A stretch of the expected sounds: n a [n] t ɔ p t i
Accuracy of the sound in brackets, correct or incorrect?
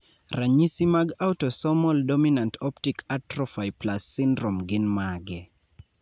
correct